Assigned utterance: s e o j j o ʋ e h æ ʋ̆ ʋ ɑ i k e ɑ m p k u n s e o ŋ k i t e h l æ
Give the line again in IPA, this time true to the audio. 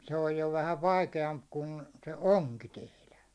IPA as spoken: s e o j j o ʋ æ h æ ʋ̆ ʋ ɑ i k e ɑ m p k u n s e o ŋ k i t e h l æ